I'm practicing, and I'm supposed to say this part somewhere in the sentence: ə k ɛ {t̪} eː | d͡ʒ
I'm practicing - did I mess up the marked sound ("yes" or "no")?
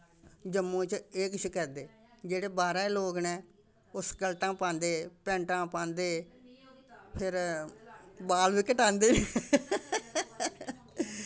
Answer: yes